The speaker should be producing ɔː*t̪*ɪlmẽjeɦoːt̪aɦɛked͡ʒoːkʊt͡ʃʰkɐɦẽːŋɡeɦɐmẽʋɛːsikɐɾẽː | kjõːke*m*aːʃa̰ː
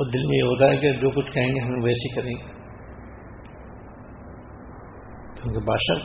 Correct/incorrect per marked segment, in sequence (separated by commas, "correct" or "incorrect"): incorrect, incorrect